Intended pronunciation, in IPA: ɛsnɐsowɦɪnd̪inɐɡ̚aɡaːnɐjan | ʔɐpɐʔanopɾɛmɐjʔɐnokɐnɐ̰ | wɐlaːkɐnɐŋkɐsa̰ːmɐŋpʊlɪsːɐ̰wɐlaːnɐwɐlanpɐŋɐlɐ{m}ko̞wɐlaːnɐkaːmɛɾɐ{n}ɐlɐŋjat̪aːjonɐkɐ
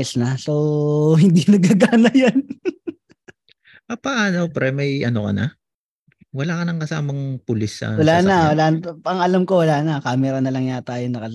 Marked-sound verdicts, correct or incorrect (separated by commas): correct, correct